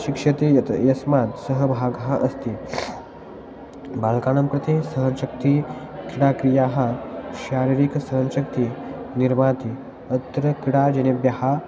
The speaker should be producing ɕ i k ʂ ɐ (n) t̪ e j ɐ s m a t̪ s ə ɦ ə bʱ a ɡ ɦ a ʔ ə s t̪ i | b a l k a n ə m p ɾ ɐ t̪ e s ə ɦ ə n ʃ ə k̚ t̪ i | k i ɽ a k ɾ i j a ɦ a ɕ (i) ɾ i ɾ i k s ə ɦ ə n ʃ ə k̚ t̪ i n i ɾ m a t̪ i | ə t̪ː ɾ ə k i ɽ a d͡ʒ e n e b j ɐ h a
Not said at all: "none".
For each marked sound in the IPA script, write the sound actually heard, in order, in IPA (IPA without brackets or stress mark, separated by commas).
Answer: none, a